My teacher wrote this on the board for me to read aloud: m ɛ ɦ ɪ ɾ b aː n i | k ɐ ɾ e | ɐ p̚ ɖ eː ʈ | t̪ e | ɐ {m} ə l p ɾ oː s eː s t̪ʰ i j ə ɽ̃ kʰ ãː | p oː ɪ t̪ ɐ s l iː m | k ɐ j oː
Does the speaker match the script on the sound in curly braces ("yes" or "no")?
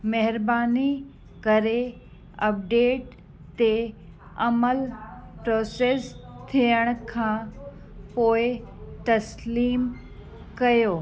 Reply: yes